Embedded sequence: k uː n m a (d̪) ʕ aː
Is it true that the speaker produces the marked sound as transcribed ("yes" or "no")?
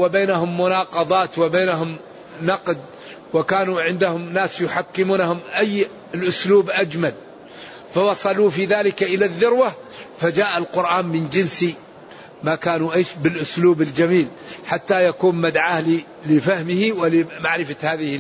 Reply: yes